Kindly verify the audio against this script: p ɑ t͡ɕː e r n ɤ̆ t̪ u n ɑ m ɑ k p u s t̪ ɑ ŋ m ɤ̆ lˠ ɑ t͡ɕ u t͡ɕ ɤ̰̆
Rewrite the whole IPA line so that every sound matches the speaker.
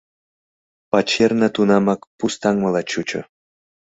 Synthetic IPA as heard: p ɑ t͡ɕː e r n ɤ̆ t̪ u n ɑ m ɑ k p u s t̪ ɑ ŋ m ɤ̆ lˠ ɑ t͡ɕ u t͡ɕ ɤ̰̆

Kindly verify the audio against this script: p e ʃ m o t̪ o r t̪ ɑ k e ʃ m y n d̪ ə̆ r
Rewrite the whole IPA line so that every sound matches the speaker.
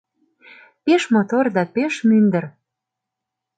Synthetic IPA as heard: p e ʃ m o t̪ o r d̪ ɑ p e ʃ m y n d̪ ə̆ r

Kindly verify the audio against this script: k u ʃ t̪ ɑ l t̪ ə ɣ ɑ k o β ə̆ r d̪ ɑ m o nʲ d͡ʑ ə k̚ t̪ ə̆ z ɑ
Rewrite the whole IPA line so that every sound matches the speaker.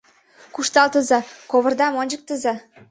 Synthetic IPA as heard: k u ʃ t̪ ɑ l t̪ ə z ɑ k o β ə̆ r d̪ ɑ m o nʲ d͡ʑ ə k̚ t̪ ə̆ z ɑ

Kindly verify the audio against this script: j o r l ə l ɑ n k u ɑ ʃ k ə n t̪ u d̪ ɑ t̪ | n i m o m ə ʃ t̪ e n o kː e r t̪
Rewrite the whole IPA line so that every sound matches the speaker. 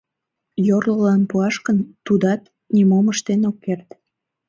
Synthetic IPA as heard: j o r l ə l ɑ n p u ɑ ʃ k ə n t̪ u d̪ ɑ t̪ | n i m o m ə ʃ t̪ e n o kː e r t̪

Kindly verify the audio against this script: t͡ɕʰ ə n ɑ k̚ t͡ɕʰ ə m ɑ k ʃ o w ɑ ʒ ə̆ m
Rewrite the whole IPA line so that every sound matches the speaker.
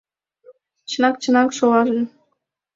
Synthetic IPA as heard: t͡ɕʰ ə n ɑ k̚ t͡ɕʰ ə n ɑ k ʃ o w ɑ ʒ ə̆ n

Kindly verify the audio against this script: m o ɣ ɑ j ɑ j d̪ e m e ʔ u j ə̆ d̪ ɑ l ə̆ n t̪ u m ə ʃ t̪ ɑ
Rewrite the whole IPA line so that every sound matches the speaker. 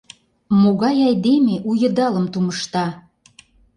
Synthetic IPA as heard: m o ɣ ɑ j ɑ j d̪ e m e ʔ u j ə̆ d̪ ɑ l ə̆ m t̪ u m ə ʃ t̪ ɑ

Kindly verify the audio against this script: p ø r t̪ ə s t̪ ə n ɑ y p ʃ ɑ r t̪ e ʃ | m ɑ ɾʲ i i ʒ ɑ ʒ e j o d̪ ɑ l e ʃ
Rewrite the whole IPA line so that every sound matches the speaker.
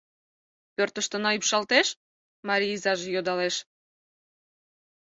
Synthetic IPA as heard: p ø r t̪ ə ʃ t̪ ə n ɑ y p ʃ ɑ l t̪ e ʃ | m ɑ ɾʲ i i z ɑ ʒ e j o d̪ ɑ l e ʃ

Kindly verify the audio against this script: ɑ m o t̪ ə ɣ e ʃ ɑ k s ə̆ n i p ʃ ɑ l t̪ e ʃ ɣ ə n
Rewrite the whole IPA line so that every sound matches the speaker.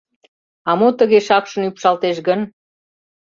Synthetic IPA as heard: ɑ m o t̪ ə ɣ e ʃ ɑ k ʃ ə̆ n y p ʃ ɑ l t̪ e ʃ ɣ ə n

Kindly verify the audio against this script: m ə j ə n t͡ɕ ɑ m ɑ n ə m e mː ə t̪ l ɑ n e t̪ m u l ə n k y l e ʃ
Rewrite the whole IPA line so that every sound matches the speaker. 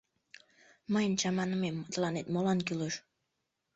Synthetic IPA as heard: m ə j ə n t͡ɕ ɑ m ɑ n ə m e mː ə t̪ l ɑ n e t̪ m o l ɑ n k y l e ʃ

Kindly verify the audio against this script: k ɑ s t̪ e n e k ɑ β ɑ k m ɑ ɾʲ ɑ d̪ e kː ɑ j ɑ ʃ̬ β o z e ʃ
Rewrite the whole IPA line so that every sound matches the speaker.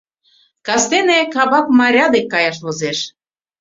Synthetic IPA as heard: k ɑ s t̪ e n e k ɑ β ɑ k m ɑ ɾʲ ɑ d̪ e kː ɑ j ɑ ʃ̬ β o z e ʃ

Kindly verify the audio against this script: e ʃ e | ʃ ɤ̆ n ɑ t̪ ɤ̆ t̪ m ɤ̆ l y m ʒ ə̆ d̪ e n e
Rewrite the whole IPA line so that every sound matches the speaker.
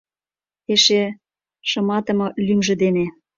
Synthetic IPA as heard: e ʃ e | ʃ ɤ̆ m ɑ t̪ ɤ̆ m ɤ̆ l y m ʒ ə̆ d̪ e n e

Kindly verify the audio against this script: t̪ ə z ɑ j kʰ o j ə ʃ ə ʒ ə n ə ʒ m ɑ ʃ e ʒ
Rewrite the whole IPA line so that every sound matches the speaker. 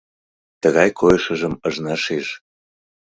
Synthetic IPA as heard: t̪ ə ɣ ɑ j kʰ o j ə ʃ ə ʒ ə m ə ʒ n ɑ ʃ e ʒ

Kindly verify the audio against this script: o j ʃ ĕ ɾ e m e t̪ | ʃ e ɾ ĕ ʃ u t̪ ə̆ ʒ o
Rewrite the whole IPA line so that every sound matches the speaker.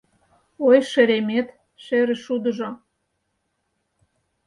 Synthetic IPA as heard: o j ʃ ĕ ɾ e m e t̪ | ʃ e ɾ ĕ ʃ u d̪ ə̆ ʒ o

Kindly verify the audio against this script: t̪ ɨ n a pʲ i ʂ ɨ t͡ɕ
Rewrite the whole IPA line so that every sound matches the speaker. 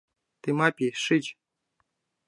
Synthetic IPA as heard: t̪ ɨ m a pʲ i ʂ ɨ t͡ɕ

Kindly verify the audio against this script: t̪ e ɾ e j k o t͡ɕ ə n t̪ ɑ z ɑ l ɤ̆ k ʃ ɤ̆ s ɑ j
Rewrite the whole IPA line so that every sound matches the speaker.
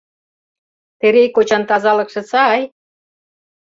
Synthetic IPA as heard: t̪ e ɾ e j k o t͡ɕ ɑ n t̪ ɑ z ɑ l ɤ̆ k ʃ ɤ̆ t͡s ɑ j

